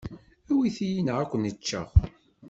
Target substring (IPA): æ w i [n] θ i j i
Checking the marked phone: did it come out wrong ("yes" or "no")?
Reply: yes